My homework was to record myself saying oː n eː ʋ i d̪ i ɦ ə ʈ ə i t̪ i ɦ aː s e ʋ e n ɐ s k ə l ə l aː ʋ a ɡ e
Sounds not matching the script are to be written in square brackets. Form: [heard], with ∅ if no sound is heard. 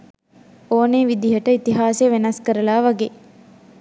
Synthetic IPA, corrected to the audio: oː n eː ʋ i d̪ i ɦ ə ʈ ə i t̪ i ɦ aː s e ʋ e n ɐ s k ə [ɾ] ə l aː ʋ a ɡ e